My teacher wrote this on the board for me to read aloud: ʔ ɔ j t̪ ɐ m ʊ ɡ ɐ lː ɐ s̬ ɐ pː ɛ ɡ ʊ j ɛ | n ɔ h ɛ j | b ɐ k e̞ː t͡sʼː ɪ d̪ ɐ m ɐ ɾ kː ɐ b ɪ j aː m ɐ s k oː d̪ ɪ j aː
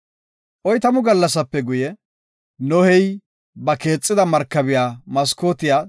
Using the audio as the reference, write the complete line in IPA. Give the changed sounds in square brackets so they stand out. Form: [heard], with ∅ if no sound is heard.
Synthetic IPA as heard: ʔ ɔ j t̪ ɐ m ʊ ɡ ɐ lː ɐ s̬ ɐ pː ɛ ɡ ʊ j ɛ | n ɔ h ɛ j | b ɐ k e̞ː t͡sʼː ɪ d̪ ɐ m ɐ ɾ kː ɐ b ɪ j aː m ɐ s k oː [t̪] ɪ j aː